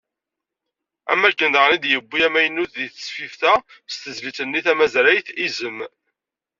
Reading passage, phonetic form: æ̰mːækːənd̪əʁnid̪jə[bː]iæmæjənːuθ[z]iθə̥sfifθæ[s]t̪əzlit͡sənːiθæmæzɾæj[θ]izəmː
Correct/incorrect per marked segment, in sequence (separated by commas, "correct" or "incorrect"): correct, incorrect, correct, correct